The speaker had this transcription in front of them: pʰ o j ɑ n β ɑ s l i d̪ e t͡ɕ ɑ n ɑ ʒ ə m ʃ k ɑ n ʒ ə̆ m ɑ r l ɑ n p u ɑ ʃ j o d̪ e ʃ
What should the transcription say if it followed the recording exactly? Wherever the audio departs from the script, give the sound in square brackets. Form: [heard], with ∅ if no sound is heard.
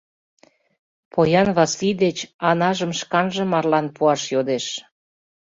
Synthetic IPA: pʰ o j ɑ n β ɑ s l i d̪ e t͡ɕ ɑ n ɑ ʒ ə m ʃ k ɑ n ʒ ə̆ m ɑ r l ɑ n p u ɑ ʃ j o d̪ e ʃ